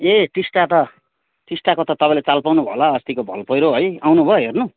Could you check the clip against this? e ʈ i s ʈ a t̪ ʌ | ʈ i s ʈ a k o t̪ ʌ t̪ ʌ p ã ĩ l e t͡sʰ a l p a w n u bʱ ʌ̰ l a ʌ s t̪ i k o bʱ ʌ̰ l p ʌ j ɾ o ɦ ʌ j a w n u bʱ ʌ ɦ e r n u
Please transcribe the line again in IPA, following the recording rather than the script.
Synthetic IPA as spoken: e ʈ i s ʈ a t̪ ʌ | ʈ i s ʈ a k o t̪ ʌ t̪ ʌ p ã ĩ l e t͡s a l p a w n u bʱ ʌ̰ l a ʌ s t̪ i k o bʱ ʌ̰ l p ʌ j ɾ o ɦ ʌ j a w n u bʱ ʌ ɦ e r n u